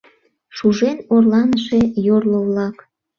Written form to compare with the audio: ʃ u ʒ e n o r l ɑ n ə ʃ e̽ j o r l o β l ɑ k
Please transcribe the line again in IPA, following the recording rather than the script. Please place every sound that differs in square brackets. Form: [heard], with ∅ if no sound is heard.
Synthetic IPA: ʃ u ʒ e n o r l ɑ n ə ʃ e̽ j o r l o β l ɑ k